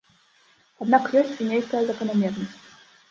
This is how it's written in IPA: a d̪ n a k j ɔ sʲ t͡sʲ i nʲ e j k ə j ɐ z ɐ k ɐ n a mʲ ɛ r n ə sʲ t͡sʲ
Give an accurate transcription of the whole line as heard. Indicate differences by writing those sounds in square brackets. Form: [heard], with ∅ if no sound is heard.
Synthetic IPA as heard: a d̪ n a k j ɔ sʲ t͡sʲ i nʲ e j k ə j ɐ z ɐ k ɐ n a mʲ ɛ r n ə sʲ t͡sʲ